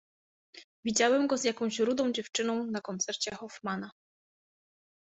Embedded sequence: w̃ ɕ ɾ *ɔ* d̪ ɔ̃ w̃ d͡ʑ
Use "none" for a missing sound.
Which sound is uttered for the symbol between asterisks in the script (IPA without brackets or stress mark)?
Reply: u